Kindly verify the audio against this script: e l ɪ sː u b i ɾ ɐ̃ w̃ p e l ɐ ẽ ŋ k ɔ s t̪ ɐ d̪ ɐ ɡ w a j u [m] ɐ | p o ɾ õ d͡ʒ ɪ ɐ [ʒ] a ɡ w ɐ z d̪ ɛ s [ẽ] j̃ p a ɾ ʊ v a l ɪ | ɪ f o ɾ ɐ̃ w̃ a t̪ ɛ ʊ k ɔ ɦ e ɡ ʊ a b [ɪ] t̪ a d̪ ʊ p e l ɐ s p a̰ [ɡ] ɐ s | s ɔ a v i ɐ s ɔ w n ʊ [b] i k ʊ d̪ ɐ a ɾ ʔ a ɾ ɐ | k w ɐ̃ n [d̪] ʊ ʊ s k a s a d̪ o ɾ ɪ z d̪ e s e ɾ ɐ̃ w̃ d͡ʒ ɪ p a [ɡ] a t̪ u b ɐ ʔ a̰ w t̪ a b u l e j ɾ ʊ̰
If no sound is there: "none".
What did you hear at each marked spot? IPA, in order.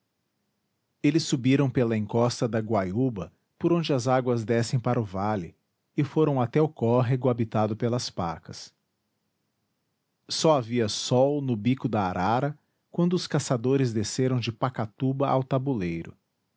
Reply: b, z, ẽ, i, k, b, d̪, k

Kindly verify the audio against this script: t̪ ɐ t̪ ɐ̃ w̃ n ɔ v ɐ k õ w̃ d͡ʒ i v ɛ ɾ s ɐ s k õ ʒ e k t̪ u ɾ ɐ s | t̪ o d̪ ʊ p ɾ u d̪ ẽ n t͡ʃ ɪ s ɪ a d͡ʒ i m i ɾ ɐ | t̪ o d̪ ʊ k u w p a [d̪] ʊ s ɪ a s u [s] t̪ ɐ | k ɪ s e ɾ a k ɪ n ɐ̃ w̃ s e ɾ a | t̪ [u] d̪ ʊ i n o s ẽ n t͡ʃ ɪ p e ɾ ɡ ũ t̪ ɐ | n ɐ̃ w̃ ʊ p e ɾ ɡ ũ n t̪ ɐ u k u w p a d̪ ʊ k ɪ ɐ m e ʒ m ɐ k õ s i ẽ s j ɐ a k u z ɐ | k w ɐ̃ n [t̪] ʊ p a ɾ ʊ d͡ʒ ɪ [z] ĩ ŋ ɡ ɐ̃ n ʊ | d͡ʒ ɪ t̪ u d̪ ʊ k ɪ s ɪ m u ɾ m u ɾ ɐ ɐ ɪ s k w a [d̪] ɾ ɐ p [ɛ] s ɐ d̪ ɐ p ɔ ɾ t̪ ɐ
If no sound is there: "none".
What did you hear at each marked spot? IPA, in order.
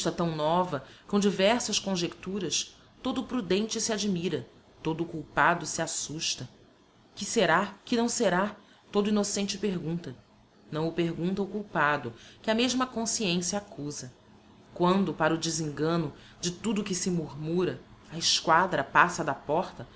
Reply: d̪, ʃ, o, d̪, z, d̪, a

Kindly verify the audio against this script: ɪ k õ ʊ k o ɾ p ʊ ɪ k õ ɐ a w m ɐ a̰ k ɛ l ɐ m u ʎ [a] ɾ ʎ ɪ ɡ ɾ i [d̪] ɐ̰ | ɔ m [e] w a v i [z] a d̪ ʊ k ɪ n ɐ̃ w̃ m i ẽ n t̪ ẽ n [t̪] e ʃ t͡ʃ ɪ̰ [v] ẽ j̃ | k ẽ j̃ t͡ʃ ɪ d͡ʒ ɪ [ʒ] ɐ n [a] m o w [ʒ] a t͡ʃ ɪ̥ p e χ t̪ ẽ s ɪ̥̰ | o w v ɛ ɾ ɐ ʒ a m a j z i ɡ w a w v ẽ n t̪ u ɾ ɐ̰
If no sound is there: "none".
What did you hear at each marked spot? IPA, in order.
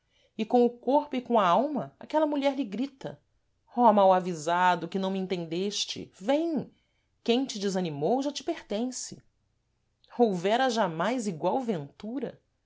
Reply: ɛ, t̪, a, z, d̪, v, z, i, ʒ

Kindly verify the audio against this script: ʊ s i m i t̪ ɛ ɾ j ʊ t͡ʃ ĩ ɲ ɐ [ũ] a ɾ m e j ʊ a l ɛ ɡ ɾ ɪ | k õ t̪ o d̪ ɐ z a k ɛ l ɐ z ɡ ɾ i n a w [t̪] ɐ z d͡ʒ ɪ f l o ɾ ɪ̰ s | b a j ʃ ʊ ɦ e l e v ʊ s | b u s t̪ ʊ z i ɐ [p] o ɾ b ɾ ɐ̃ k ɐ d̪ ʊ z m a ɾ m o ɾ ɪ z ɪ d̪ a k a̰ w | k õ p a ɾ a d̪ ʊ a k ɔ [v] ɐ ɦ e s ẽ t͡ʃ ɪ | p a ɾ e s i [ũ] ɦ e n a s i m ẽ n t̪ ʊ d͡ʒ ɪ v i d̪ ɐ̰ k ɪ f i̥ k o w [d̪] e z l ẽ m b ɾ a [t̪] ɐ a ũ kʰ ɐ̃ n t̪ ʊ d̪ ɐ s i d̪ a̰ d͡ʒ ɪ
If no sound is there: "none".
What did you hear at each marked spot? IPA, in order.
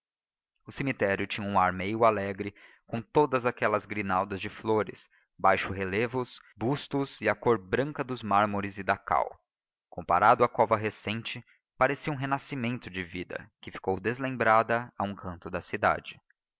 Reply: ũ, d̪, k, v, ũ, d̪, d̪

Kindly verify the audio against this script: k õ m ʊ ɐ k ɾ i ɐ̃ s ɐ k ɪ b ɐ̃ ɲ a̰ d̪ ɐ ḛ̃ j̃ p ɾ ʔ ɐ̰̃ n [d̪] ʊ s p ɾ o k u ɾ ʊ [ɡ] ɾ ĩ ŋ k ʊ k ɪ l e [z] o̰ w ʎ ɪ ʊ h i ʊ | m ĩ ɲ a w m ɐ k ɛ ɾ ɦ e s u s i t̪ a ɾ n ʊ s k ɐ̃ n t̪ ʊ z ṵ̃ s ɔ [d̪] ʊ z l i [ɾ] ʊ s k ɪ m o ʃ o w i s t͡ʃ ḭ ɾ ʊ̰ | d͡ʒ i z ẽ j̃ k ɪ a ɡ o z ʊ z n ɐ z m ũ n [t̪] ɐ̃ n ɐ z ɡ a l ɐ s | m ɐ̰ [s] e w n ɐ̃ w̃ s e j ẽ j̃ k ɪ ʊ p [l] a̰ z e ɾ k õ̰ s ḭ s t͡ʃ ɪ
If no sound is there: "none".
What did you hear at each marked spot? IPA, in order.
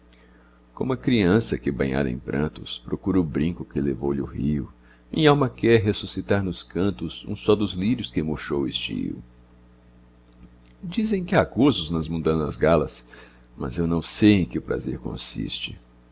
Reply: t̪, b, v, d̪, ɾ, d̪, z, ɾ

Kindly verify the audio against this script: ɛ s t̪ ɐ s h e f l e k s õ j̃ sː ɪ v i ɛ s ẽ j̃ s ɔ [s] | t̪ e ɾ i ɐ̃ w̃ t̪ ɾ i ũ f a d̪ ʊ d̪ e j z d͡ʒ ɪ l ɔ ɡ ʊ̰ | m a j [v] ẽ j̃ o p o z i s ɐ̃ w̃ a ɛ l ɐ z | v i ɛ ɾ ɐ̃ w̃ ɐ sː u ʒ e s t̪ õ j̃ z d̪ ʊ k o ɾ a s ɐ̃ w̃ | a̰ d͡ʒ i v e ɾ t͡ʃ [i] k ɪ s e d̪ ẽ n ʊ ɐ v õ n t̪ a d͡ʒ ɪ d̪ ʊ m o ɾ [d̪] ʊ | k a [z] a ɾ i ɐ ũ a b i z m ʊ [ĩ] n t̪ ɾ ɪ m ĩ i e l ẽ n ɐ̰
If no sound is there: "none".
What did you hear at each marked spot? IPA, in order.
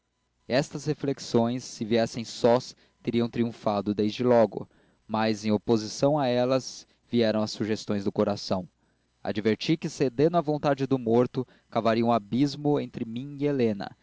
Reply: s, z, i, t̪, v, ẽ

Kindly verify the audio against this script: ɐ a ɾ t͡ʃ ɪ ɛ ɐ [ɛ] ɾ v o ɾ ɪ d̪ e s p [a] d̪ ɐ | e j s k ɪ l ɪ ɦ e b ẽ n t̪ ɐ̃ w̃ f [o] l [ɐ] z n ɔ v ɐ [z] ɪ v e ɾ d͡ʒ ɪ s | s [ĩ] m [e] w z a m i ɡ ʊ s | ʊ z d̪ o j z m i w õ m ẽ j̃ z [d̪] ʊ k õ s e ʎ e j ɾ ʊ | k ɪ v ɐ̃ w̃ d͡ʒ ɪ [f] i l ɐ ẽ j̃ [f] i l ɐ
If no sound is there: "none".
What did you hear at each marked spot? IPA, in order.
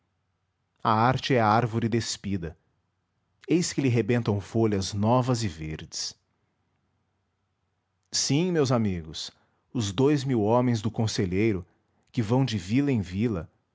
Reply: a, i, o, ɐ, z, ĩ, e, d̪, v, v

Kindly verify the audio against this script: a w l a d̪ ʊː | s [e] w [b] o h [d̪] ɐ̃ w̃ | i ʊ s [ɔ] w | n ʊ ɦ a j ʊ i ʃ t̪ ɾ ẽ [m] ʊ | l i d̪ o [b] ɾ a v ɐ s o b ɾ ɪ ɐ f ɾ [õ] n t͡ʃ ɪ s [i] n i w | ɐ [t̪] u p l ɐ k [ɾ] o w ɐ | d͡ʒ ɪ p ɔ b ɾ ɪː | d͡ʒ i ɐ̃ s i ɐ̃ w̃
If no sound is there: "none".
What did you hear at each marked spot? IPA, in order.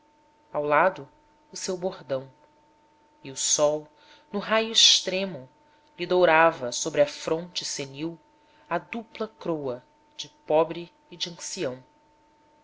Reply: e, b, d̪, ɔ, m, w, õ, e, d̪, ɾ

